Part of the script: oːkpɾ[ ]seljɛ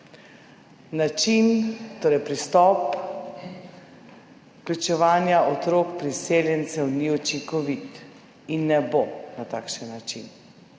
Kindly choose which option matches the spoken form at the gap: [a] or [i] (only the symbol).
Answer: i